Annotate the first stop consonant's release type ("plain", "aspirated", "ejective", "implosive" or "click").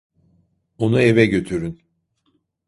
plain